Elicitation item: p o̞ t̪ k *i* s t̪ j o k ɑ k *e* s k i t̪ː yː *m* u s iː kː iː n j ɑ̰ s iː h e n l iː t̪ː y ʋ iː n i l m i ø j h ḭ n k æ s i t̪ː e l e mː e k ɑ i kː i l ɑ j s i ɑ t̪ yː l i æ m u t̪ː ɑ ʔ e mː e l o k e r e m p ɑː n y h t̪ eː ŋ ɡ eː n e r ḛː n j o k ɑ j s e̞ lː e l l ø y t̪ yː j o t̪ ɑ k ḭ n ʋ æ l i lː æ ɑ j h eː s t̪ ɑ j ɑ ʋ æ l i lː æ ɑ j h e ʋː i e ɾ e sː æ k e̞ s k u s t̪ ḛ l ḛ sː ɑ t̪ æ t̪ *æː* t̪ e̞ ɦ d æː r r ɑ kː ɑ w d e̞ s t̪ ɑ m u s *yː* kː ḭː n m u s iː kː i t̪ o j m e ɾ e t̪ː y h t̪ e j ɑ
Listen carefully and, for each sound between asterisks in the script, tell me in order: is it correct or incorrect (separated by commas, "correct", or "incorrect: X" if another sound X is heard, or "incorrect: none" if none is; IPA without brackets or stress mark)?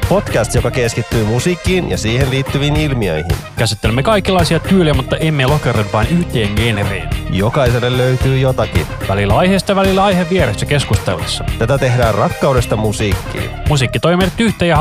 incorrect: æ, correct, correct, incorrect: æ, incorrect: iː